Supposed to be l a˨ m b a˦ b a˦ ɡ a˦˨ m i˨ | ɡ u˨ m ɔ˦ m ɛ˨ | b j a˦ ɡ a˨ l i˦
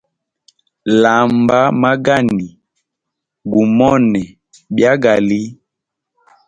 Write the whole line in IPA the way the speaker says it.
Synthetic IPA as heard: l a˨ m b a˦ m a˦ ɡ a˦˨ n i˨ | ɡ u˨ m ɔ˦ n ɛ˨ | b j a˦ ɡ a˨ l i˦